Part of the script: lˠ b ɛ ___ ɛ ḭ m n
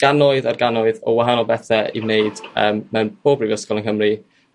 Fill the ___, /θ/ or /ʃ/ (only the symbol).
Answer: θ